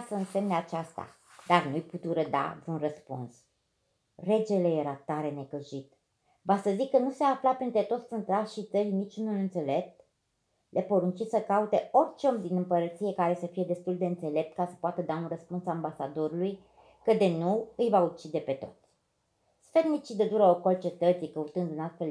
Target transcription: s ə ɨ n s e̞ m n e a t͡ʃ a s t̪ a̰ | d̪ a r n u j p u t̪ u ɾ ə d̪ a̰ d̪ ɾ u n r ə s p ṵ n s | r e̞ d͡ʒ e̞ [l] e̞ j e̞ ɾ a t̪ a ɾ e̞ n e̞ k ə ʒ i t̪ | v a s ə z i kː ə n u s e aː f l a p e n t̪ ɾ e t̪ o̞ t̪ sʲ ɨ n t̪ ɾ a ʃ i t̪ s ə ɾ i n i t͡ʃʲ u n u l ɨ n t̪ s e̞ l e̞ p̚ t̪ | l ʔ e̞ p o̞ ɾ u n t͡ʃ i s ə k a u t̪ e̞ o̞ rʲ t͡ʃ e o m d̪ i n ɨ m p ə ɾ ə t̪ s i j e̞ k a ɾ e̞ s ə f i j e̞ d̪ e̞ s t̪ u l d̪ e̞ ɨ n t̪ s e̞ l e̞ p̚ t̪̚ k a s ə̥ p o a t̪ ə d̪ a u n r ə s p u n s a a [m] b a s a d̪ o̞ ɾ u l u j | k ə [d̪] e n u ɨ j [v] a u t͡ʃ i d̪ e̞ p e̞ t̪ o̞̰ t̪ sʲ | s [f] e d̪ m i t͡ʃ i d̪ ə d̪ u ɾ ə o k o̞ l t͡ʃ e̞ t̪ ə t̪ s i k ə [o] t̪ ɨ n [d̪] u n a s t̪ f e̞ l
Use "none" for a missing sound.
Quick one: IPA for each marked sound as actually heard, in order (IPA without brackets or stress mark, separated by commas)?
l, m, d̪, v, f, u, d̪